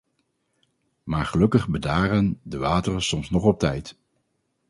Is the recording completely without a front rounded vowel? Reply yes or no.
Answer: yes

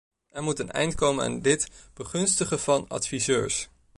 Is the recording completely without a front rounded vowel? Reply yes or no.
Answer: no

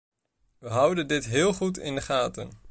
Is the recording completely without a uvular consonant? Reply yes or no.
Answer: no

